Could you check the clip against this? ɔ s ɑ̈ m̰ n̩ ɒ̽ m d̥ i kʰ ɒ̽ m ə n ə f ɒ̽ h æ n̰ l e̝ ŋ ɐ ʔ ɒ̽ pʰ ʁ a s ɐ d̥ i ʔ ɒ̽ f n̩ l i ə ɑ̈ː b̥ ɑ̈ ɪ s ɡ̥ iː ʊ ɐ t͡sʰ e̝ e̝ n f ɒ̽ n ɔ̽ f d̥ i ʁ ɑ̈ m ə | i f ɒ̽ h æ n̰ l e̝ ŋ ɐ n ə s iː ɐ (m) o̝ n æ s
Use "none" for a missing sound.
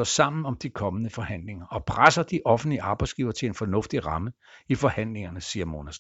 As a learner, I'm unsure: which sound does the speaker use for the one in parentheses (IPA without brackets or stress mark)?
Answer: m